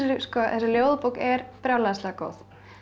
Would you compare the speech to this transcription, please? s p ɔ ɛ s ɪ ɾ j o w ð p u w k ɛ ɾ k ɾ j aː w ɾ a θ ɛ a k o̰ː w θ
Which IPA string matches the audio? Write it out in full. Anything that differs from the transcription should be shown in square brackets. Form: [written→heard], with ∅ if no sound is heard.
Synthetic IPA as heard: s [p→k] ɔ ɛ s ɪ [ɾ→l] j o w ð p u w k ɛ ɾ [k→p] ɾ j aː w [ɾ→l] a [θ→s] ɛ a k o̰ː w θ